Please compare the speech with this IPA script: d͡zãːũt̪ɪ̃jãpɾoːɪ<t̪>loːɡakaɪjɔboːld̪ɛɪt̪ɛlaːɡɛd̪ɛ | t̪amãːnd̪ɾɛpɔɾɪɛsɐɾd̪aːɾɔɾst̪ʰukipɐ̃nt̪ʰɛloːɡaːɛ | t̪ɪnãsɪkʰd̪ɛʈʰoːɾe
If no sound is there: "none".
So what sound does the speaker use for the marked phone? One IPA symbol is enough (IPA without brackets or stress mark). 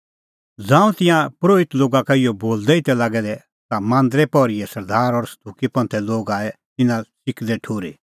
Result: t̪